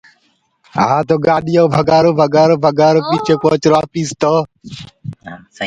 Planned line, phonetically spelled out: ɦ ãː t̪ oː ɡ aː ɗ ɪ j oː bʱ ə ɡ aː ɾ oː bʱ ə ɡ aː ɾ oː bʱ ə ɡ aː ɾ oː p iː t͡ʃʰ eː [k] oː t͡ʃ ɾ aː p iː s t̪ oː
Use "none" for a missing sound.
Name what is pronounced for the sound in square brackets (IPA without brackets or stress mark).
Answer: k